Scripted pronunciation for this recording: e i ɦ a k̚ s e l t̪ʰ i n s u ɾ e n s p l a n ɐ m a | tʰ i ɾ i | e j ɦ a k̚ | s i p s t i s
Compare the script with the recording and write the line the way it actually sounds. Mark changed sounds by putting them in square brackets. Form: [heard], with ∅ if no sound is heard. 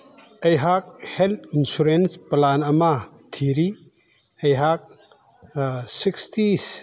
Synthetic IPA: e [j] ɦ a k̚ [h] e l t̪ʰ i n s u ɾ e n s p l a n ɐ m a | tʰ i ɾ i | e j ɦ a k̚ | s i [k] s t i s

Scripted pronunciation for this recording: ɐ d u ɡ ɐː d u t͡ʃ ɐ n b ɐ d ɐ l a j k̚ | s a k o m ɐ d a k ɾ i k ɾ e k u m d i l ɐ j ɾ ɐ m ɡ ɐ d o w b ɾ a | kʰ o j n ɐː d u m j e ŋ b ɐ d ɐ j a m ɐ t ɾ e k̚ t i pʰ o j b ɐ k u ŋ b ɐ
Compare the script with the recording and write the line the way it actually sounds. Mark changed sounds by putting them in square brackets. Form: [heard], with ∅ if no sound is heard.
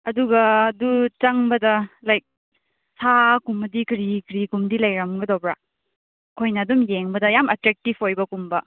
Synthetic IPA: ɐ d u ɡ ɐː d u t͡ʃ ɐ [ŋ] b ɐ d ɐ l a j k̚ | s a k [u] m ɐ d [i] k ɾ i k ɾ [i] k u m d i l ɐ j ɾ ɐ m ɡ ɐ d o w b ɾ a | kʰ o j n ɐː d u m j e ŋ b ɐ d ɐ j a m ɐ t ɾ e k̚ t i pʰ o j b ɐ k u [m] b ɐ

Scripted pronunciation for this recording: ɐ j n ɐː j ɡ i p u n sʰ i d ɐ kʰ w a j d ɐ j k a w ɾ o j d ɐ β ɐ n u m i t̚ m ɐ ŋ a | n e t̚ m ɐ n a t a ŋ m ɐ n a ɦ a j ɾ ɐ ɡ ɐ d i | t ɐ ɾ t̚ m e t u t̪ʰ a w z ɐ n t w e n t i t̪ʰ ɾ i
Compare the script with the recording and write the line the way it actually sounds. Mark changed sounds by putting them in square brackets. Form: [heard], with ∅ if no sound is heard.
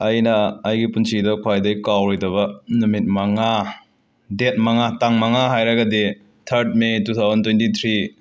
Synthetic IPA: ɐ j n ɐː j ɡ i p u n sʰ i d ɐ kʰ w a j d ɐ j k a w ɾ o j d ɐ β ɐ n u m i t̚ m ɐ ŋ a | [d] e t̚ m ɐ [ŋ] a t a ŋ m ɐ [ŋ] a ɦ a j ɾ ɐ ɡ ɐ d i | [tʰ] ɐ ɾ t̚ m e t u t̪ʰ a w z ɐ n t w e n t i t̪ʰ ɾ i

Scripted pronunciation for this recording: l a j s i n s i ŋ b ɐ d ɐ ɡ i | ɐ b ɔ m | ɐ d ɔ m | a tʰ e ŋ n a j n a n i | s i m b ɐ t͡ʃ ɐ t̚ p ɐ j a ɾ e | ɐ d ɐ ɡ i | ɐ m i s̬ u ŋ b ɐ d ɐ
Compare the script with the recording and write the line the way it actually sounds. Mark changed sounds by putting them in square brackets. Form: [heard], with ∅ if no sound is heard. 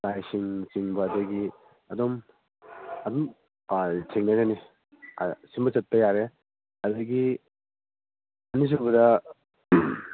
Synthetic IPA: l a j s i [ŋ] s i ŋ b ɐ d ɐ ɡ i | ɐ [d] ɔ m | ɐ d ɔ m | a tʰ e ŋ n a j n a n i | s i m b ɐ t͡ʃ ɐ t̚ p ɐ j a ɾ e | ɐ d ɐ ɡ i | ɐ [n] i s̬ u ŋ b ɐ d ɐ

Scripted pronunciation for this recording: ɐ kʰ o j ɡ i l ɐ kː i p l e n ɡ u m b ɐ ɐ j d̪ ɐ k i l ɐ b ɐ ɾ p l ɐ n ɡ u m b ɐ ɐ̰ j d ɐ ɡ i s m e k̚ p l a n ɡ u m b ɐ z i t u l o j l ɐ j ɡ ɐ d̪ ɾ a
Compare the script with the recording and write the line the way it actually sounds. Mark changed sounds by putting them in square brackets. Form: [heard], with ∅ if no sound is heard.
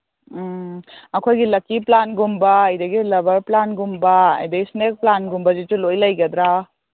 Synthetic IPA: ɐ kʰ o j ɡ i l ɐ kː i p l [a] n ɡ u m b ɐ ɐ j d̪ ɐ [ɡ] i l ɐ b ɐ ɾ p l [a] n ɡ u m b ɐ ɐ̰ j d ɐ ɡ i s [n] e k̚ p l a n ɡ u m b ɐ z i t u l o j l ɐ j ɡ ɐ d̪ ɾ a

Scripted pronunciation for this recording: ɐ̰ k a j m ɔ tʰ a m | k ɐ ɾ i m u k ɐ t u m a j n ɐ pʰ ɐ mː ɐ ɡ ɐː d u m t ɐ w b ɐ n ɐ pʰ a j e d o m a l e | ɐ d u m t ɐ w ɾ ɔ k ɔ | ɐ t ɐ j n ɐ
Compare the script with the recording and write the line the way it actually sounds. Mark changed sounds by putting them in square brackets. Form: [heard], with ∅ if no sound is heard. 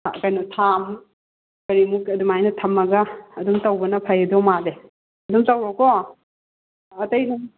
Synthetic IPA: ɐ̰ k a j [n] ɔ tʰ a m | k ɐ ɾ i m u k ɐ [d] u m a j n ɐ [tʰ] ɐ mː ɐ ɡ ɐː d u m t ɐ w b ɐ n ɐ pʰ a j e d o m a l e | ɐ d u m t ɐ w ɾ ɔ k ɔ | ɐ t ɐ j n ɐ

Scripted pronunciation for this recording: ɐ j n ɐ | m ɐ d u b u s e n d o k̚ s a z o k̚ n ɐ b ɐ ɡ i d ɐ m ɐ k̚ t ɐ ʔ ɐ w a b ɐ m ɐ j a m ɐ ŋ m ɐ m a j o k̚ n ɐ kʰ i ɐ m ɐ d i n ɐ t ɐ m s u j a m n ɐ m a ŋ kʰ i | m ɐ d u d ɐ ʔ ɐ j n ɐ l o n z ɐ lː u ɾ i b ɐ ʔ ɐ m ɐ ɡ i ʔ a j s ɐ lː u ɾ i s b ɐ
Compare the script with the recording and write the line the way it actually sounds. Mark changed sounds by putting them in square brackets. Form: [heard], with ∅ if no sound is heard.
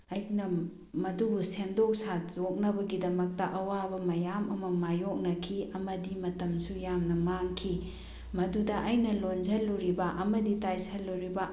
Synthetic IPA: ɐ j n ɐ | m ɐ d u b u s e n d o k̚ s a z o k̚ n ɐ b ɐ ɡ i d ɐ m ɐ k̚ t ɐ ʔ ɐ w a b ɐ m ɐ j a m ɐ [∅] m ɐ m a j o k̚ n ɐ kʰ i ɐ m ɐ d i [m] ɐ t ɐ m s u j a m n ɐ m a ŋ kʰ i | m ɐ d u d ɐ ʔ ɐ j n ɐ l o n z ɐ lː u ɾ i b ɐ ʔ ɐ m ɐ [d] i [t] a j s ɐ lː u ɾ i [∅] b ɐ

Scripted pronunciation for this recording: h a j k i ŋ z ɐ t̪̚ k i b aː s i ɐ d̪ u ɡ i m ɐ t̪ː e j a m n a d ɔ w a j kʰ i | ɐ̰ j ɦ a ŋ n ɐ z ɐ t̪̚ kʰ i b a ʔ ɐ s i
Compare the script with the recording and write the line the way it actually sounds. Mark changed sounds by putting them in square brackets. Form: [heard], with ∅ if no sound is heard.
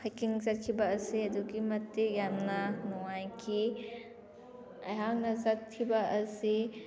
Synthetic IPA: h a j k i ŋ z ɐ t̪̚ [kʰ] i b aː s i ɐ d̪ u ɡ i m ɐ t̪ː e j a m n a [n] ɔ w a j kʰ i | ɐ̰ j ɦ a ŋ n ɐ z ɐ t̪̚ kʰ i b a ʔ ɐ s i

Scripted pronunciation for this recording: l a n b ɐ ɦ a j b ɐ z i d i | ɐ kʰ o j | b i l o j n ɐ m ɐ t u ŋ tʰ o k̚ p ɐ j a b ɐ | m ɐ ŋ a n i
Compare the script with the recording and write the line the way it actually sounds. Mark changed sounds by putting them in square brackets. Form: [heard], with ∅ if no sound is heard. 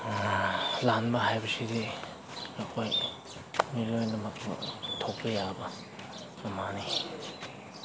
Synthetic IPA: l a n b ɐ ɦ a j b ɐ [s] i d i | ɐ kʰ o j | [m] i l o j n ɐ m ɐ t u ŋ tʰ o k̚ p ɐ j a b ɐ | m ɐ [m] a n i

